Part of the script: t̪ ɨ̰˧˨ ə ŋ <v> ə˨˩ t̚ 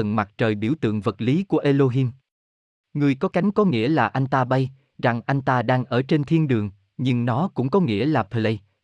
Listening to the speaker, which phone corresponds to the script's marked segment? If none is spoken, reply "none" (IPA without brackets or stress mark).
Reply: v